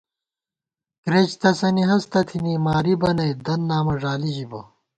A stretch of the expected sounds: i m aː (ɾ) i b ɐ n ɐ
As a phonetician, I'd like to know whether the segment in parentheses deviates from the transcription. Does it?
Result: no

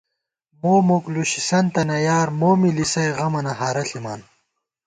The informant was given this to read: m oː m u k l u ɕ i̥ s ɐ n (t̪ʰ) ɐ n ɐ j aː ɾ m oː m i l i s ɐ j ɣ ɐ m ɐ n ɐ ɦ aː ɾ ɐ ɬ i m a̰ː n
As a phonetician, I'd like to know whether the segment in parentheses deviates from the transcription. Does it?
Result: yes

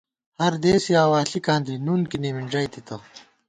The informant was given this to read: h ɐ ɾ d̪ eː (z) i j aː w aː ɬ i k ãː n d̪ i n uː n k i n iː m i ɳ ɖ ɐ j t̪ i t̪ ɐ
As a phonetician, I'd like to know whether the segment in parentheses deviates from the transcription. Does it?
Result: yes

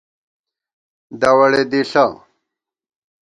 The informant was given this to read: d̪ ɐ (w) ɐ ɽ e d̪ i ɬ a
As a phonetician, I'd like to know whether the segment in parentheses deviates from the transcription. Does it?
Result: no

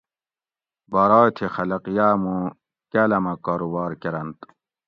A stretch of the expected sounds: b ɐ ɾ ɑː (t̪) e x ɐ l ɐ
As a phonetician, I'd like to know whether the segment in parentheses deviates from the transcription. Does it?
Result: yes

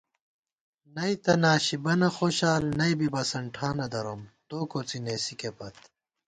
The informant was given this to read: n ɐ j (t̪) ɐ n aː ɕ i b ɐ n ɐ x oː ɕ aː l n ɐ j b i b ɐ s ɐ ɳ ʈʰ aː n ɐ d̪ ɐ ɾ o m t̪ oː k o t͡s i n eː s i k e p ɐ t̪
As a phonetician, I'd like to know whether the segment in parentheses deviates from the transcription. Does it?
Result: no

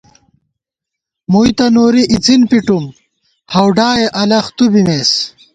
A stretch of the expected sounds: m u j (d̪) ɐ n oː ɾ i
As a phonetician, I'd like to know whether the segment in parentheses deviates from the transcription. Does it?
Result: yes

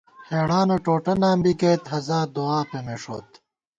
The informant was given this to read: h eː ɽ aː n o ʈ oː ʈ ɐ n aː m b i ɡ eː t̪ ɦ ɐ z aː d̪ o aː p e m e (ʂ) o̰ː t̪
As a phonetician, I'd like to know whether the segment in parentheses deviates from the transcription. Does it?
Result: no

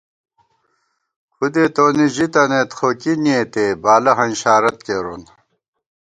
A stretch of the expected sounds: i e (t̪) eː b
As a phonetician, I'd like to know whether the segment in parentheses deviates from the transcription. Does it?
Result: no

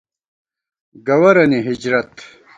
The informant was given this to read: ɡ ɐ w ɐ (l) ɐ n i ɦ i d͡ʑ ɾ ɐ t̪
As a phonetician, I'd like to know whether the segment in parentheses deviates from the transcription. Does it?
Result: yes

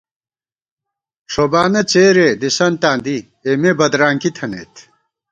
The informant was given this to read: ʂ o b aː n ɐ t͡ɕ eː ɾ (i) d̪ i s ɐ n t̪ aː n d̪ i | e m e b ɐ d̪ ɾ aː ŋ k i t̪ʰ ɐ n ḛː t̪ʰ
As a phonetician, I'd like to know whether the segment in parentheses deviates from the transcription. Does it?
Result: yes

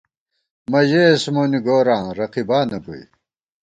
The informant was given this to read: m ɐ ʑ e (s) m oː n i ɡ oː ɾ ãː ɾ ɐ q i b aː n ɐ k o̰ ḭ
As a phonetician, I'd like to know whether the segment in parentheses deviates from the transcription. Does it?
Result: no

